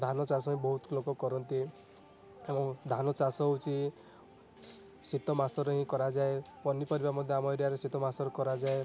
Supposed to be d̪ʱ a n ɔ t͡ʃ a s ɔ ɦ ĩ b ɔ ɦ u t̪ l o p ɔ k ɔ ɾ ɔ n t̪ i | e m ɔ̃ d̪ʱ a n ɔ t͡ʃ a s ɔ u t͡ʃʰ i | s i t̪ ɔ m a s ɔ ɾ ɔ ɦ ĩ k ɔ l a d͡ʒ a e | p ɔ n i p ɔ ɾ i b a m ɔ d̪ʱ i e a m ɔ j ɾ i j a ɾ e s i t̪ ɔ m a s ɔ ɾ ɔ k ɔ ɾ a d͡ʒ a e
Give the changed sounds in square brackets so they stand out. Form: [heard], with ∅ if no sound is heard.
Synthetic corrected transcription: d̪ʱ a n ɔ t͡ʃ a s ɔ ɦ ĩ b ɔ ɦ u t̪ l o [k] ɔ k ɔ ɾ ɔ n t̪ i | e m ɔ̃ d̪ʱ a n ɔ t͡ʃ a s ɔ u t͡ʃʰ i | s i t̪ ɔ m a s ɔ ɾ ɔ ɦ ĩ k ɔ [ɾ] a d͡ʒ a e | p ɔ n i p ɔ ɾ i b a m ɔ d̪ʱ [j] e a m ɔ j ɾ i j a ɾ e s i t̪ ɔ m a s ɔ ɾ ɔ k ɔ ɾ a d͡ʒ a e

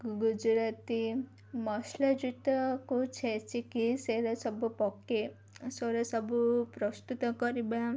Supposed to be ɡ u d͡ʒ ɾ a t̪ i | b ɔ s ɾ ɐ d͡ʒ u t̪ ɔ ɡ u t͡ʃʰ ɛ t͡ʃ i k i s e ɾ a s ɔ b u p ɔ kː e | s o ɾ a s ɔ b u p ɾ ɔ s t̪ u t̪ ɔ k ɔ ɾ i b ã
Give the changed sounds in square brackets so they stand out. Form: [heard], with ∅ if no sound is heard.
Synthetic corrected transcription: ɡ u d͡ʒ ɾ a t̪ i | [m] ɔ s [l] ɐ d͡ʒ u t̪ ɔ [k] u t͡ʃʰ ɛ t͡ʃ i k i s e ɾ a s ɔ b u p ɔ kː e | s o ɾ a s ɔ b u p ɾ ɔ s t̪ u t̪ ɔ k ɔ ɾ i b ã

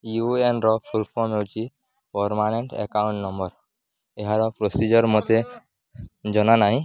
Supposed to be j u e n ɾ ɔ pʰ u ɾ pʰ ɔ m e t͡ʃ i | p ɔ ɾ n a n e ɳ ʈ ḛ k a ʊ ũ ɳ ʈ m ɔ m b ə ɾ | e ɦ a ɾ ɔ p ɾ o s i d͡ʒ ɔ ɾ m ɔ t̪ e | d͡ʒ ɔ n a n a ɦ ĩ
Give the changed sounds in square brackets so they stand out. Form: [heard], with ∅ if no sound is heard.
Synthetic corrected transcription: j u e n ɾ ɔ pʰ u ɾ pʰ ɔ m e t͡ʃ i | p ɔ ɾ [m] a n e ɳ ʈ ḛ k a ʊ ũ ɳ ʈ [n] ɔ m b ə ɾ | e ɦ a ɾ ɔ p ɾ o s i d͡ʒ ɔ ɾ m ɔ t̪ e | d͡ʒ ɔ n a n a ɦ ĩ

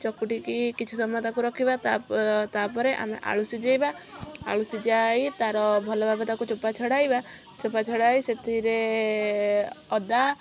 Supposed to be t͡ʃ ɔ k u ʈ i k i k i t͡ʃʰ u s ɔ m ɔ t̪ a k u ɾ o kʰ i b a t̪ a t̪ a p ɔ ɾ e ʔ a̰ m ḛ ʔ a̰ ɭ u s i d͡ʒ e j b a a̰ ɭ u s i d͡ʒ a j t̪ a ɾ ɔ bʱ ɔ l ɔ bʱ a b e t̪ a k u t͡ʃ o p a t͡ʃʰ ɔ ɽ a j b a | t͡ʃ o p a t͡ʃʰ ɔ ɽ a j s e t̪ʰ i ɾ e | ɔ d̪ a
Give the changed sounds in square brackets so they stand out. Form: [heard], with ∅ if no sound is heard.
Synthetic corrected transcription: t͡ʃ ɔ k u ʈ i k i k i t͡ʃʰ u s ɔ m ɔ t̪ a k u ɾ [ɔ] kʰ i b a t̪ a t̪ a p ɔ ɾ e ʔ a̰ m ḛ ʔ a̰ ɭ u s i d͡ʒ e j b a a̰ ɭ u s i d͡ʒ a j t̪ a ɾ ɔ bʱ ɔ l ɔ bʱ a b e t̪ a k u t͡ʃ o p a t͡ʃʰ ɔ ɽ a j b a | t͡ʃ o p a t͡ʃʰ ɔ ɽ a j s e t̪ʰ i ɾ e | ɔ d̪ a

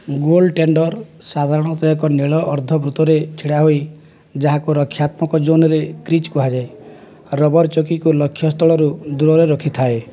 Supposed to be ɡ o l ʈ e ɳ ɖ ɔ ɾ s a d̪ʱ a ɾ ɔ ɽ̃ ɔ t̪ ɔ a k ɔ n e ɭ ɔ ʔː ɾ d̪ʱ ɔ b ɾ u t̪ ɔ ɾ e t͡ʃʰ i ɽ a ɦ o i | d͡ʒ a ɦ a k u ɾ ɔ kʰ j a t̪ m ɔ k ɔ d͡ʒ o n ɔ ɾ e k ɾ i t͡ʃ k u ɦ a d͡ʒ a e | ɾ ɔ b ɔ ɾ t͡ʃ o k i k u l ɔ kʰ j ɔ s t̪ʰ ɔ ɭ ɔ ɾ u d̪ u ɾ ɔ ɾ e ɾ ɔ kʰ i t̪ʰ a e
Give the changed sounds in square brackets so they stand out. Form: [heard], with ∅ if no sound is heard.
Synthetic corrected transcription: ɡ o l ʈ e ɳ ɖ ɔ ɾ s a d̪ʱ a ɾ ɔ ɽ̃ ɔ t̪ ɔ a k ɔ n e ɭ ɔ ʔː ɾ d̪ʱ ɔ b ɾ u t̪ ɔ ɾ e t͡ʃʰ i ɽ a ɦ o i | d͡ʒ a ɦ a k u ɾ ɔ kʰ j a t̪ m ɔ k ɔ d͡ʒ o n ɔ ɾ e k ɾ i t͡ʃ k u ɦ a d͡ʒ a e | ɾ ɔ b ɔ ɾ t͡ʃ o k i k u l ɔ kʰ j ɔ s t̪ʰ ɔ ɭ ɔ ɾ u d̪ u ɾ ɔ ɾ e ɾ ɔ kʰ i t̪ʰ a e

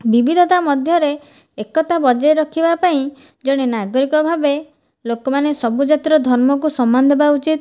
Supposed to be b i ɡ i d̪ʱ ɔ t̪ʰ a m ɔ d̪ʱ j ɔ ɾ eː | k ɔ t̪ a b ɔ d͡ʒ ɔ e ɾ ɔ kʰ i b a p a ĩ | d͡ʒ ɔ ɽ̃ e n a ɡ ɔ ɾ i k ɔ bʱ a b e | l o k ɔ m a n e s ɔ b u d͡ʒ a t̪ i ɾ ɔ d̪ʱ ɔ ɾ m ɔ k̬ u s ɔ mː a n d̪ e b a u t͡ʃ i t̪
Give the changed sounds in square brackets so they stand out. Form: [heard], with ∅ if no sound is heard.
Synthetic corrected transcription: b i [b] i d̪ʱ ɔ [t̪] a m ɔ d̪ʱ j ɔ ɾ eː | k ɔ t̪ a b ɔ d͡ʒ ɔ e ɾ ɔ kʰ i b a p a ĩ | d͡ʒ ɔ ɽ̃ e n a ɡ ɔ ɾ i k ɔ bʱ a b e | l o k ɔ m a n e s ɔ b u d͡ʒ a t̪ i ɾ ɔ d̪ʱ ɔ ɾ m ɔ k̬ u s ɔ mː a n d̪ e b a u t͡ʃ i t̪

